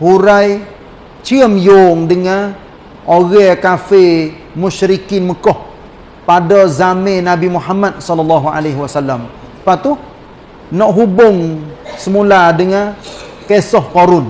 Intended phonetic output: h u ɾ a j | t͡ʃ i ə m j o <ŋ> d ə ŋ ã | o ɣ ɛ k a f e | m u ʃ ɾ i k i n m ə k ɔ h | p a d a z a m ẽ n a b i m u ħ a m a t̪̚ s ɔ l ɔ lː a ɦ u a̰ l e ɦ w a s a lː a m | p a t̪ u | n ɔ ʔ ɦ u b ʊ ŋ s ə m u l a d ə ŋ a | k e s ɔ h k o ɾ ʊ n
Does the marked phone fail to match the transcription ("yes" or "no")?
no